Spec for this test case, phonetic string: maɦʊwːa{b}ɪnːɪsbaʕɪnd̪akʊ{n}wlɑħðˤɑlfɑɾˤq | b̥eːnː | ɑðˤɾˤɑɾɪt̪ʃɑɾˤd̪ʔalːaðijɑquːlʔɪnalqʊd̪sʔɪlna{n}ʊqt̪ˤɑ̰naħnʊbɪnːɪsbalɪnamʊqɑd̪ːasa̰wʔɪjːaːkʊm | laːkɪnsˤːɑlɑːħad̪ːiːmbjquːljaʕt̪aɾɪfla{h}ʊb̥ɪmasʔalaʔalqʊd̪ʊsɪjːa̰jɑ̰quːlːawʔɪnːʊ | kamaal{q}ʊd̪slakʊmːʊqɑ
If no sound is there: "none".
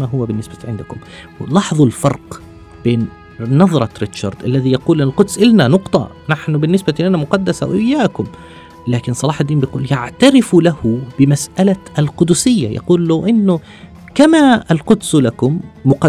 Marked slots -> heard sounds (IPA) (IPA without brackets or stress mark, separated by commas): b, m, n, h, q